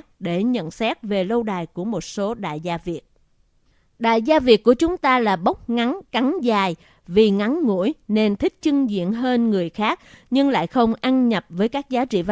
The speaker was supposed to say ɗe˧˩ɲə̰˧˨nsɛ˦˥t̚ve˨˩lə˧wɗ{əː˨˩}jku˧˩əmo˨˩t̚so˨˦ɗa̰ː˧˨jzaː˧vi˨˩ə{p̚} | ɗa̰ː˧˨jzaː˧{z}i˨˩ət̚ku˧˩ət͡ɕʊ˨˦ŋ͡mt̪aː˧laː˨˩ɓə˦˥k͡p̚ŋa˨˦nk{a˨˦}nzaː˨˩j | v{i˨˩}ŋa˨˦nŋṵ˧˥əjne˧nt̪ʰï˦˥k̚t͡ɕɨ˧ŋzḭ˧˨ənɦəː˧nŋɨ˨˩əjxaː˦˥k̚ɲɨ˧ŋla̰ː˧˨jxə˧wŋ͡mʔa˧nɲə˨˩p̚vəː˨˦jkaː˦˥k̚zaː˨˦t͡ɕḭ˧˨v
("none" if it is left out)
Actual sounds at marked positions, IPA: aː˨˩, t̚, v, a˨˦, i˨˩

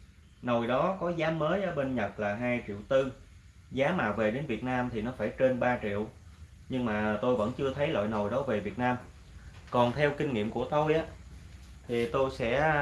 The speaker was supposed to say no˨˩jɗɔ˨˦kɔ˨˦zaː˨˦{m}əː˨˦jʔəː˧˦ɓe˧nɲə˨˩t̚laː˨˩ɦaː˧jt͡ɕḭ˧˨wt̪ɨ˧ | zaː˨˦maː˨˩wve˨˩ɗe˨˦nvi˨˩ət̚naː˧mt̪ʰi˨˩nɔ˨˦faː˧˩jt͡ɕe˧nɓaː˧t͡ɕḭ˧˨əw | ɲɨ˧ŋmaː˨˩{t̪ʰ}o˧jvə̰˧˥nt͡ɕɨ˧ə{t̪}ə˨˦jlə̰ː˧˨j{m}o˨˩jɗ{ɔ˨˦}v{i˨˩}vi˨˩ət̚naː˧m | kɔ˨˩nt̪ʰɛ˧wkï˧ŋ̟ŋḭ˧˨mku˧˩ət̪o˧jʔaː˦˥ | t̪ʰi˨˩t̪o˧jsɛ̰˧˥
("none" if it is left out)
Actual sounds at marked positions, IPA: m, t̪, t̪ʰ, n, ɔ˨˦, e˨˩

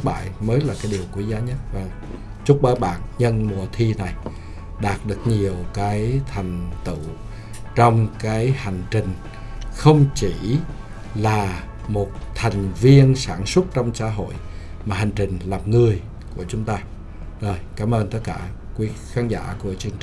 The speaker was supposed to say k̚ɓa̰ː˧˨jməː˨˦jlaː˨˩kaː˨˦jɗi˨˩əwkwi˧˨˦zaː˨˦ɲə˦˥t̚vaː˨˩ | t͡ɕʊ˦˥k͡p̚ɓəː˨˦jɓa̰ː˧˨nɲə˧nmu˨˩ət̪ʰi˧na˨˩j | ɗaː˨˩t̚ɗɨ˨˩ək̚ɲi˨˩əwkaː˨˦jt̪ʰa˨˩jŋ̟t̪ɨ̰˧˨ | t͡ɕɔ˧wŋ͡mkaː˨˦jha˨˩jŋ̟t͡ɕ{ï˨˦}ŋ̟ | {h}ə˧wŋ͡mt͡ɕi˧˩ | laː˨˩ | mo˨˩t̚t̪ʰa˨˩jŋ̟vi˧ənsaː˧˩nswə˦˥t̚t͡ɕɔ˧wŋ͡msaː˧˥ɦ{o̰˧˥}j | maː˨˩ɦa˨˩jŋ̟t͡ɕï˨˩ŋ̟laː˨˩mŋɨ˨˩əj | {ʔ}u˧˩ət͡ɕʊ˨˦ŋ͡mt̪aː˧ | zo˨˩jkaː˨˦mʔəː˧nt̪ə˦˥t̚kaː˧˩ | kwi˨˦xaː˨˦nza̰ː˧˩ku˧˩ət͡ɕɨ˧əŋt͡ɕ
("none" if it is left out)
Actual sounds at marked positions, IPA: ï˨˩, x, o̰˧˨, k

